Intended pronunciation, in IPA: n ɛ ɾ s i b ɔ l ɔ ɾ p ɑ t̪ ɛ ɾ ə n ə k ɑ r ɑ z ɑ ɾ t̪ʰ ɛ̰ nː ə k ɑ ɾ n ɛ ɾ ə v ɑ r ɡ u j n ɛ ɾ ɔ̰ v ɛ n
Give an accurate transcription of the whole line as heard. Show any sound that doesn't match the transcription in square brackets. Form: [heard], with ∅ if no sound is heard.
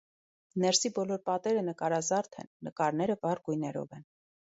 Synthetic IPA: n ɛ ɾ s i b ɔ l ɔ ɾ p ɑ t̪ ɛ ɾ ə n ə k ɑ [ɾ] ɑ z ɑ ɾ t̪ʰ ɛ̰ nː ə k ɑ ɾ n ɛ ɾ ə v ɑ r ɡ u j n ɛ ɾ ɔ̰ v ɛ n